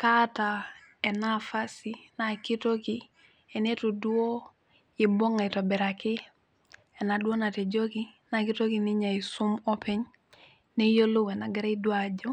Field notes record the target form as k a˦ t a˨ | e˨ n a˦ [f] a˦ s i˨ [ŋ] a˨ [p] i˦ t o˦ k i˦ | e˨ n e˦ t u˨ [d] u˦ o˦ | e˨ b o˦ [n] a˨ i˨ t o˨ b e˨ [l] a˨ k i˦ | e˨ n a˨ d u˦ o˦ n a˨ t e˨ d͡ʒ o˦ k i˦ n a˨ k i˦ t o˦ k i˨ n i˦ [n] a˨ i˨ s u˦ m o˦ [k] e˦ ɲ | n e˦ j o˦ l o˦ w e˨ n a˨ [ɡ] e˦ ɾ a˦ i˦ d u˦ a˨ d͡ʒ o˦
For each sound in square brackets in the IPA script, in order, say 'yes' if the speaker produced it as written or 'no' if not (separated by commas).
yes, no, no, yes, no, no, no, no, yes